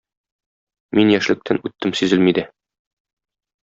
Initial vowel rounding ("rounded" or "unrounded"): unrounded